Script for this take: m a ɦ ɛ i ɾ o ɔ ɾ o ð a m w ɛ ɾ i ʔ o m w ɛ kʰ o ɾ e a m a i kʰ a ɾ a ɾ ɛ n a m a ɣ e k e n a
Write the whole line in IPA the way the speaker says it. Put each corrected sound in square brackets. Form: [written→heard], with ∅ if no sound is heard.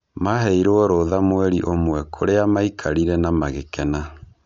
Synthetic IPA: m a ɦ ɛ i ɾ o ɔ ɾ o ð a m w ɛ ɾ i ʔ o m w ɛ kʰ o ɾ e a m a i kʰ a ɾ [a→i] ɾ ɛ n a m a ɣ e k [e→ɛ] n a